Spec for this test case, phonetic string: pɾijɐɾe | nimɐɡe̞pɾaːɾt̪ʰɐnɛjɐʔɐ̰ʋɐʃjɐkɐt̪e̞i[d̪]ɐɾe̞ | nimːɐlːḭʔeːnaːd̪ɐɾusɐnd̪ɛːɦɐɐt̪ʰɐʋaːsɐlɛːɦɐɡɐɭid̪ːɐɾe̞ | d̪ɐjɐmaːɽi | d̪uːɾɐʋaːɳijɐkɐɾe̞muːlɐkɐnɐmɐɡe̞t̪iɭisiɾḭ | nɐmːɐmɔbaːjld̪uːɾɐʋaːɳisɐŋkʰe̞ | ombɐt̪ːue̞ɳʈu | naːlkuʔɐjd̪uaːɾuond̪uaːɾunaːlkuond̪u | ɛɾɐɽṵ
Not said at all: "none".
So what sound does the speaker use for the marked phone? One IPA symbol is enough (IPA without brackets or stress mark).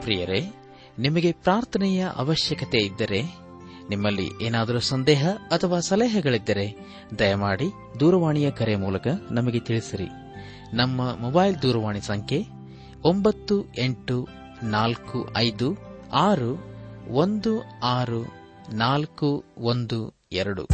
d̪ː